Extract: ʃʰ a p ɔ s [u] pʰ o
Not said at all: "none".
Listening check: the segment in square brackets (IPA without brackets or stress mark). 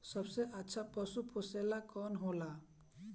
u